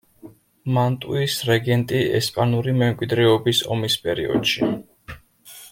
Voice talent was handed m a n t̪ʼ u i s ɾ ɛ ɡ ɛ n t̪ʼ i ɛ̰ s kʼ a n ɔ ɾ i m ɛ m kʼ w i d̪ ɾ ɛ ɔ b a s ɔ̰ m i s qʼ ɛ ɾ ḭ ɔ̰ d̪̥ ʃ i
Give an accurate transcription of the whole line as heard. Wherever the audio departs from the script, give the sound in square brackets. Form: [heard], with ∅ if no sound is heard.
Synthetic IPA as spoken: m a n t̪ʼ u i s ɾ ɛ ɡ ɛ n t̪ʼ i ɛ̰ s [pʼ] a n [u] ɾ i m ɛ m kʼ w i d̪ ɾ ɛ ɔ b [i] s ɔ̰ m i s [pʼ] ɛ ɾ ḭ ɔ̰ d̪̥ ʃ i